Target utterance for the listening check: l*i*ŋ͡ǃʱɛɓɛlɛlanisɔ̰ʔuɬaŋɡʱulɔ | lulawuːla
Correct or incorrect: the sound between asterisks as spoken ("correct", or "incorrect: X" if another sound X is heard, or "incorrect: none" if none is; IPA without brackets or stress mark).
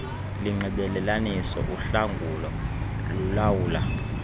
correct